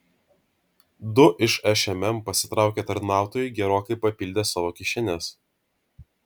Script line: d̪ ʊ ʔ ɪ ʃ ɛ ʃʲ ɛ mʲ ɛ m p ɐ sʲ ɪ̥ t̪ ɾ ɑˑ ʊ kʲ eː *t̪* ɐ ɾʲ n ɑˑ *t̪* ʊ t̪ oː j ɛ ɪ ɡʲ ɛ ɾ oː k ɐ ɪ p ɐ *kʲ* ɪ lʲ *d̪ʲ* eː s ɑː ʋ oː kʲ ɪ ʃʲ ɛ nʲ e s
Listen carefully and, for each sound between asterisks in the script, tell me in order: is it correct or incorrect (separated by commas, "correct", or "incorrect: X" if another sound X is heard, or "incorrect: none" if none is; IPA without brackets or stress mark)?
correct, incorrect: none, incorrect: pʲ, correct